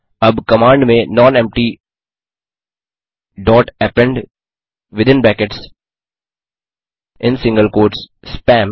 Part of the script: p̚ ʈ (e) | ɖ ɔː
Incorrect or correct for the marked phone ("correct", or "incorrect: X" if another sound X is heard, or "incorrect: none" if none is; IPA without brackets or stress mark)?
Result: incorrect: i